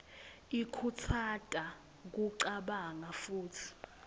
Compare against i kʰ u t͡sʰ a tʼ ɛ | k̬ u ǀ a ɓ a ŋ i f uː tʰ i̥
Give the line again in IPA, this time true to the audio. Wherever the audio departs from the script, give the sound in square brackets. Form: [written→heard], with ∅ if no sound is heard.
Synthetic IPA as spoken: i kʰ u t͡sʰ a tʼ [ɛ→a] | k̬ u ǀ a ɓ a ŋ [i→a] f uː tʰ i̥